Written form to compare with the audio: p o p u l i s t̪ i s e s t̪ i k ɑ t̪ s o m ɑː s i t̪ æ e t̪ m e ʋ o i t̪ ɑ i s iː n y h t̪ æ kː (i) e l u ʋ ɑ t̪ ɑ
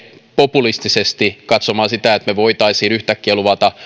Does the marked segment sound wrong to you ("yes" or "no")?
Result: no